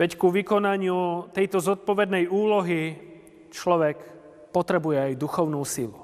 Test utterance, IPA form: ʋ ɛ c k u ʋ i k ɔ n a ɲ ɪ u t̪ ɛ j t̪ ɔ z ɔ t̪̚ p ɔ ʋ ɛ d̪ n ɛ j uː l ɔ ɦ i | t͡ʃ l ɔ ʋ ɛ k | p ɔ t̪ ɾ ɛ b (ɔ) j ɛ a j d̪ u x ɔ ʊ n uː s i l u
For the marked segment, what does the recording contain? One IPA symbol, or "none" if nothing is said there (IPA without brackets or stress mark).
u